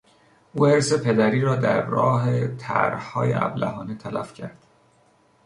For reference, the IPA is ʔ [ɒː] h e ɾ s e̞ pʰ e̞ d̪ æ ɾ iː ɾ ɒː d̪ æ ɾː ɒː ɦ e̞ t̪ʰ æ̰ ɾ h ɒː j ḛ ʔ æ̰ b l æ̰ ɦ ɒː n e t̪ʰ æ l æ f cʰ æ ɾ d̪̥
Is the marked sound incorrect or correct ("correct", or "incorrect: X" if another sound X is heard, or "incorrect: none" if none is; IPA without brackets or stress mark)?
incorrect: uː